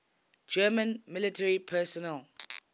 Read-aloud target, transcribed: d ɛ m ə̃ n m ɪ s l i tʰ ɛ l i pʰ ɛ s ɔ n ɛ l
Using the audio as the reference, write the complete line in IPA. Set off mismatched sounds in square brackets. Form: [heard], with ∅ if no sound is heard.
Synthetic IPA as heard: [d͡ʒ] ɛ m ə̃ n m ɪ [∅] l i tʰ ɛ [ɹ] i pʰ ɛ s ɔ n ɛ l

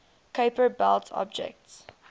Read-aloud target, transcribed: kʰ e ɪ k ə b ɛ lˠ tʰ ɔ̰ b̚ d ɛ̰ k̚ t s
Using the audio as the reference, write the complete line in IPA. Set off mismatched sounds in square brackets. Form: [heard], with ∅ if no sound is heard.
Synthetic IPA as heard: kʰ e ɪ [p] ə b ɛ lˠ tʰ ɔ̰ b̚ [d͡ʒ] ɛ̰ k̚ t s

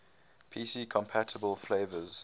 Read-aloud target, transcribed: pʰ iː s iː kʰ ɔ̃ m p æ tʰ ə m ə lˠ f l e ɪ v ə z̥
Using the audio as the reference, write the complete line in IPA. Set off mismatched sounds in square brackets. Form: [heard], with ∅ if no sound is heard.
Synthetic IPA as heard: pʰ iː s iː kʰ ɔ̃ m [pʰ] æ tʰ ə [b] ə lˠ f l e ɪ v ə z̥

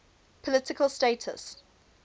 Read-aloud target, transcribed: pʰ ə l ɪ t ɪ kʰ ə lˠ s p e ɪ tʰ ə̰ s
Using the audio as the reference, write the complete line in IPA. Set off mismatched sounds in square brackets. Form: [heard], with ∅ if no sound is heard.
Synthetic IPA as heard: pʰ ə l ɪ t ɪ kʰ ə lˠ s [t] e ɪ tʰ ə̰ s

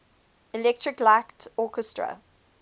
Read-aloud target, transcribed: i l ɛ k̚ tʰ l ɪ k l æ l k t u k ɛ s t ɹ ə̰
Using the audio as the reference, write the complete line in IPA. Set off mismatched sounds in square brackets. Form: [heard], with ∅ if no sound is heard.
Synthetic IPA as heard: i l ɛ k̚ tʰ [ɹ] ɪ k l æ [∅] k t [ɔ] k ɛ s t ɹ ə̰

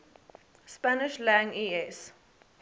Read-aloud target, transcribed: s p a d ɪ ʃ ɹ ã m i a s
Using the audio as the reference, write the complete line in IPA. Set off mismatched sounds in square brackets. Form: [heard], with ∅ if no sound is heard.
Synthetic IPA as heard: s p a [n] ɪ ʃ [l] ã [ŋ] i [ɛ] s

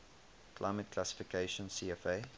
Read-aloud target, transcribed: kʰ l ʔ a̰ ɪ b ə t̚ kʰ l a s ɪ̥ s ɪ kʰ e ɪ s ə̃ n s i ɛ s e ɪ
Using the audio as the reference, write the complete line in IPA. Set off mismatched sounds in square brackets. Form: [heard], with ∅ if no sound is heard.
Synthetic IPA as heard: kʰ l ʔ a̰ ɪ [m] ə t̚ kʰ l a s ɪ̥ [f] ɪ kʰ e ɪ [ʃ] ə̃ n s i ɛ [f] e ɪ

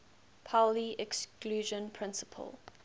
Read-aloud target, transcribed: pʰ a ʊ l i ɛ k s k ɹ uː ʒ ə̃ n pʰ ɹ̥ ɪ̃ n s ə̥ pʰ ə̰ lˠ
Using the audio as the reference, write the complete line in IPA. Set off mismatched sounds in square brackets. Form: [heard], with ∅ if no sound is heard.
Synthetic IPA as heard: pʰ a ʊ l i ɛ k s k [l] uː ʒ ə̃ n pʰ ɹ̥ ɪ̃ n s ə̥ pʰ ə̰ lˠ

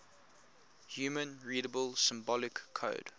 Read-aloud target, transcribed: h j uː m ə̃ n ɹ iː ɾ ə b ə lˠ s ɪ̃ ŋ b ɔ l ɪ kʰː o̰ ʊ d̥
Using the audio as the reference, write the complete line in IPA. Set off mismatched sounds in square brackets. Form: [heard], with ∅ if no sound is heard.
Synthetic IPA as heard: h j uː m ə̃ n ɹ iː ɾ ə b ə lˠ s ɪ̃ [m] b ɔ l ɪ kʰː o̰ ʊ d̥

